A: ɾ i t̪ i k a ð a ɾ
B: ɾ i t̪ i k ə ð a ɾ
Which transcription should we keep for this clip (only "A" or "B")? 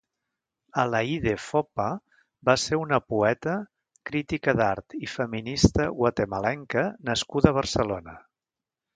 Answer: B